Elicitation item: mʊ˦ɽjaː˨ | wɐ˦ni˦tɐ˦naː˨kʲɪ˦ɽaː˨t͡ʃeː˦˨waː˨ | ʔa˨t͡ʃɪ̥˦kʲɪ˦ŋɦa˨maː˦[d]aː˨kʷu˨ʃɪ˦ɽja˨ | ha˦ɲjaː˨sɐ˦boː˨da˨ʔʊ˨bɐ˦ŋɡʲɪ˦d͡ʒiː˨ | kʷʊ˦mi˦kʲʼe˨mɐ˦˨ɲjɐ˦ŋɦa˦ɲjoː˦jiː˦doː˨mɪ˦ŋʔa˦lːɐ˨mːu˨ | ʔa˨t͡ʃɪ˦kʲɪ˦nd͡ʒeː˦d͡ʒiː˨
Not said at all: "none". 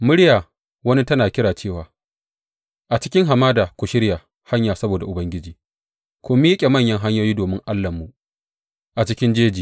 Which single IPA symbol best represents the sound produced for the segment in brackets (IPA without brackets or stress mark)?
d